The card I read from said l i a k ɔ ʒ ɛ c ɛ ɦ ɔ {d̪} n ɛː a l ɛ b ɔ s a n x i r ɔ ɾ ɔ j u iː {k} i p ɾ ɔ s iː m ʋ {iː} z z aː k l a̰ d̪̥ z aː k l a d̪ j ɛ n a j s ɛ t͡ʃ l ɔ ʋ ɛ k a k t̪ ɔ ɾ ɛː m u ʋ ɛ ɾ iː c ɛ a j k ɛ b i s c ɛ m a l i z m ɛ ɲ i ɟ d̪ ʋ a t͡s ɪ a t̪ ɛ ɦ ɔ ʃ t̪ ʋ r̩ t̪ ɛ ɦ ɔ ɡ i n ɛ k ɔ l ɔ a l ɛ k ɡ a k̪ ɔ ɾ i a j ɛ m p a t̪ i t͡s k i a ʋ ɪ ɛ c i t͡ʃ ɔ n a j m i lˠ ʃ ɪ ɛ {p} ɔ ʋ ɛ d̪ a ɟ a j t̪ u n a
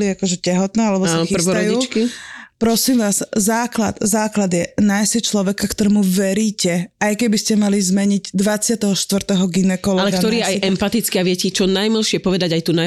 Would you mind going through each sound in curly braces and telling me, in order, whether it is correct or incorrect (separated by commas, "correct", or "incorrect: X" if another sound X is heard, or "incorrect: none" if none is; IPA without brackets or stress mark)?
incorrect: t̪, correct, incorrect: aː, correct